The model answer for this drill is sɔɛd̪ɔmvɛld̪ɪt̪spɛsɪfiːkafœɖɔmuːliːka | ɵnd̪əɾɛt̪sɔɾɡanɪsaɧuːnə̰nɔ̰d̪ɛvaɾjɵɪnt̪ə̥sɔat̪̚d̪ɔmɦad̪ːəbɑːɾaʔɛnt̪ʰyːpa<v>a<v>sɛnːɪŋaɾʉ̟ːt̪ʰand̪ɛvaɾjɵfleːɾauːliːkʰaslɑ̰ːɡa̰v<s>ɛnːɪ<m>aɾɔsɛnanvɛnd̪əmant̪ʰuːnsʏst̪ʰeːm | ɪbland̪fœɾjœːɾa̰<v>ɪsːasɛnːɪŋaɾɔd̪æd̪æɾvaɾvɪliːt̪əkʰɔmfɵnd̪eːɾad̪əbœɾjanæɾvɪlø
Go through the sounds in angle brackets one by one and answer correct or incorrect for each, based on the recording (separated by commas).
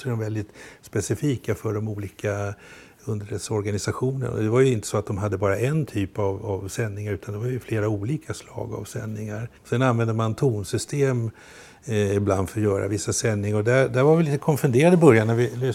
correct, correct, correct, incorrect, correct